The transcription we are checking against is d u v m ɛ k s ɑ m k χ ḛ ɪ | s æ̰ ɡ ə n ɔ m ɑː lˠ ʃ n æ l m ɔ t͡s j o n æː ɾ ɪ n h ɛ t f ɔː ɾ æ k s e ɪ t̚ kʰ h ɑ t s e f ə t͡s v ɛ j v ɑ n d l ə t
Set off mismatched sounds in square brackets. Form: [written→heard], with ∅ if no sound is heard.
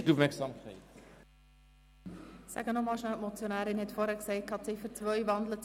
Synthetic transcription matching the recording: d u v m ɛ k s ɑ m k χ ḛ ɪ | s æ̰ ɡ ə n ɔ m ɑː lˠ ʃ n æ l m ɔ t͡s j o n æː ɾ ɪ n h ɛ t f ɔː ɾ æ k s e ɪ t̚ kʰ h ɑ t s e f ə t͡s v [ɛ→œ] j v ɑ n d l ə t